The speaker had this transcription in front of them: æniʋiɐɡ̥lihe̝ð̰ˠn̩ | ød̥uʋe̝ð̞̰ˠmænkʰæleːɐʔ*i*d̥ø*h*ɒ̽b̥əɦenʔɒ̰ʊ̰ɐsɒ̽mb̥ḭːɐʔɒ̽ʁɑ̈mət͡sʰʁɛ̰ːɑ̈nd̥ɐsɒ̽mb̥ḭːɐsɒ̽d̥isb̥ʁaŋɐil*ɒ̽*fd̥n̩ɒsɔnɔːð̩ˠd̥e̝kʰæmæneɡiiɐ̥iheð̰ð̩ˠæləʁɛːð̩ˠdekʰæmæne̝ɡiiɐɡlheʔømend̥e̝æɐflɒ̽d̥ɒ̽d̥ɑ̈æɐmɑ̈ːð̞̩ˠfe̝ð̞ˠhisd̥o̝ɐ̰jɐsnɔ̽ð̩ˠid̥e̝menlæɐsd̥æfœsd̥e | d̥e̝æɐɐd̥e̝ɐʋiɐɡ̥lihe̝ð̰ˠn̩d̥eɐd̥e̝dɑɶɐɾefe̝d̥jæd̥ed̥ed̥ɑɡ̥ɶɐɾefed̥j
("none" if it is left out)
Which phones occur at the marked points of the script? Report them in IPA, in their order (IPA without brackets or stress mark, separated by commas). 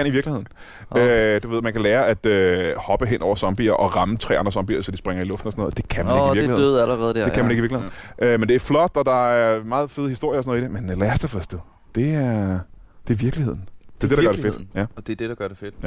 æ, h, ɔ̽